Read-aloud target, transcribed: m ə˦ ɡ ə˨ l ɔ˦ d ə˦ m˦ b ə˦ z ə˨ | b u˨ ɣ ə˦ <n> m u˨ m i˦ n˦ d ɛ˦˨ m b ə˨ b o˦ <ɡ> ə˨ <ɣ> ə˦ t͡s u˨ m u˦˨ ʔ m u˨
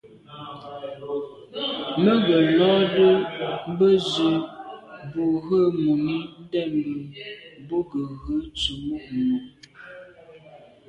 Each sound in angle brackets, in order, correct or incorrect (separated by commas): incorrect, correct, correct